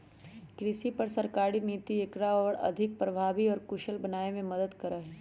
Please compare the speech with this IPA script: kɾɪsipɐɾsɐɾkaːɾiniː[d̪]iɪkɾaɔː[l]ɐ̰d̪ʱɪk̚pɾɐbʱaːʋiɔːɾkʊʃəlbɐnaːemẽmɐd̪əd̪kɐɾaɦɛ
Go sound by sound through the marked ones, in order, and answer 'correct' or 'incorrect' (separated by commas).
incorrect, incorrect